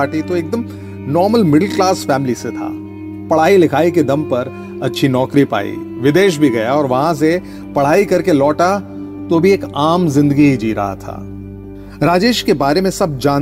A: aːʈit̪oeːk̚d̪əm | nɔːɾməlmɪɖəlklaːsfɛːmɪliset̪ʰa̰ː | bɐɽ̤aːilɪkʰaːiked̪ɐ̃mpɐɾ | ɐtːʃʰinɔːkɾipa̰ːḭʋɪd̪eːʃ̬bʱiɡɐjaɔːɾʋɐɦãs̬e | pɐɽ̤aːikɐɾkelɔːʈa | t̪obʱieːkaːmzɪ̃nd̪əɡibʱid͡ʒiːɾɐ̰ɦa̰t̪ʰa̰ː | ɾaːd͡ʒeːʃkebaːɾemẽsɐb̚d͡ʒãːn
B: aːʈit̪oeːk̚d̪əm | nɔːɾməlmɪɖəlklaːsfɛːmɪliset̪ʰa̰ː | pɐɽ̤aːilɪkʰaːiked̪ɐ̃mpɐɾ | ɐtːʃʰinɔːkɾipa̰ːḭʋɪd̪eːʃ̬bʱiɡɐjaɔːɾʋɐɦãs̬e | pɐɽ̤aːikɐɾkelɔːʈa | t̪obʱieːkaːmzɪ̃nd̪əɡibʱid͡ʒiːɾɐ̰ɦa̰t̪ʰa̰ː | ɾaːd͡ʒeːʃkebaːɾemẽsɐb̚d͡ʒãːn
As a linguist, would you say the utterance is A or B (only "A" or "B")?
B